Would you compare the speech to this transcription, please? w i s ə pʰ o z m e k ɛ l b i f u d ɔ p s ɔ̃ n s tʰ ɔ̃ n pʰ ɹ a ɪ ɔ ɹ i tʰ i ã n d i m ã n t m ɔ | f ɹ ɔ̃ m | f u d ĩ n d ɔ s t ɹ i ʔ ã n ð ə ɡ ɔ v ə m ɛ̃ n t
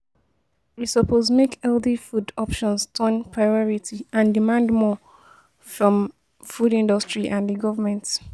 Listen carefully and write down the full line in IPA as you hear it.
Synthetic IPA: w i s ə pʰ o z m e k ɛ l d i f u d ɔ p ʃ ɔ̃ n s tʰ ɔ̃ n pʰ ɹ a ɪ ɔ ɹ i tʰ i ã n d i m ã n d m ɔ | f ɹ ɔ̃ m | f u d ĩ n d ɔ s t ɹ i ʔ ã n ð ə ɡ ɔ v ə m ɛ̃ n t